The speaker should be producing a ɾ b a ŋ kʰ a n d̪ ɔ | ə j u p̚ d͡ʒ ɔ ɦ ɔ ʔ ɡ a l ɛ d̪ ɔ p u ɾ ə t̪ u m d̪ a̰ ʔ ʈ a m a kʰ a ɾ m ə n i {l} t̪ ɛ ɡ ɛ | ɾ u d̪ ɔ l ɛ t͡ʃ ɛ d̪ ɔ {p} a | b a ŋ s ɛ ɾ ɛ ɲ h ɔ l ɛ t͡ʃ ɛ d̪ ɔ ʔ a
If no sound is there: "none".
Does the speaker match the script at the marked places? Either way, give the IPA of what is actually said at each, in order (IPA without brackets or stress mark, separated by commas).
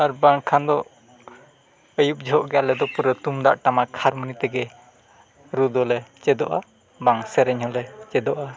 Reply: none, ʔ